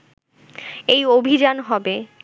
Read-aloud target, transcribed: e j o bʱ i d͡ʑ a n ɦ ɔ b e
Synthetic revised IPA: e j o bʱ i d͡ʑ a n ɦ ɔ b e